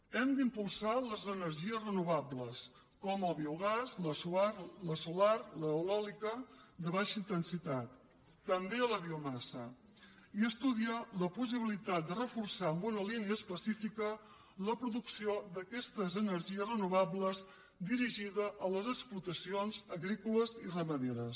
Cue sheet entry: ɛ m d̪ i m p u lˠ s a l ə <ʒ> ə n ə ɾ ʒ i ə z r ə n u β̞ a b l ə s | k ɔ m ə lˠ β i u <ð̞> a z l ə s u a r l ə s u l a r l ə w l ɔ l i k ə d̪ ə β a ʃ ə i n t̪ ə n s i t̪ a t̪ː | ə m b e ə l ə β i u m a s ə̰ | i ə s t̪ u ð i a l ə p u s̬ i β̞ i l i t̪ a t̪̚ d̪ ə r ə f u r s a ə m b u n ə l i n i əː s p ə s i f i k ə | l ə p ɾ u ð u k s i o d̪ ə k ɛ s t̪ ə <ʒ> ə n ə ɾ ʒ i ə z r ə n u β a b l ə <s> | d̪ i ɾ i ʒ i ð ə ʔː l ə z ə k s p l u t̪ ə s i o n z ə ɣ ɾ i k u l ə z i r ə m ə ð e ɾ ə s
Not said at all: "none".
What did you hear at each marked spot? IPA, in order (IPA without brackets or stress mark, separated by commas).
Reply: z, ɣ̞, z, z